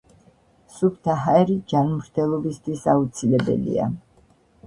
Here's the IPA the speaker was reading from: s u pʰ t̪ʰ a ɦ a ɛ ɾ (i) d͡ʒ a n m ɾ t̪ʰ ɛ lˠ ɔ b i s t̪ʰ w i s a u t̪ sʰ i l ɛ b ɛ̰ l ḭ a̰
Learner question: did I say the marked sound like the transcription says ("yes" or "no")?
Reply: yes